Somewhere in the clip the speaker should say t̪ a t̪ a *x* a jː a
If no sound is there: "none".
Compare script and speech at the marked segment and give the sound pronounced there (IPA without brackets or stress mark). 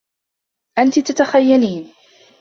x